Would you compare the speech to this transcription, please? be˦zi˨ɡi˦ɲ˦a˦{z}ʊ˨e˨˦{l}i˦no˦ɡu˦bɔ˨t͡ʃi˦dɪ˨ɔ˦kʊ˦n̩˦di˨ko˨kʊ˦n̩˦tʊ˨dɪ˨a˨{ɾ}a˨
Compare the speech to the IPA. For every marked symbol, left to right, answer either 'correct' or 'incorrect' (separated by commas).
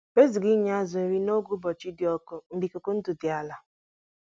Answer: correct, incorrect, incorrect